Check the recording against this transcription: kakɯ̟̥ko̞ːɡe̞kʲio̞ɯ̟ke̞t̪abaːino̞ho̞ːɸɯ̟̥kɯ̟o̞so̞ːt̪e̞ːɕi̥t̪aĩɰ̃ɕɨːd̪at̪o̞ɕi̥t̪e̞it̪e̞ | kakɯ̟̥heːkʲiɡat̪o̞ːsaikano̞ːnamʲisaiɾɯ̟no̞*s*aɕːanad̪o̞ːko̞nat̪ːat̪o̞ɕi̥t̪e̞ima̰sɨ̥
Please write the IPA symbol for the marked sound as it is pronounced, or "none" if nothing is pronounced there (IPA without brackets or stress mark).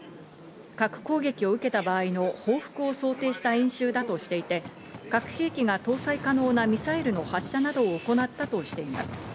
h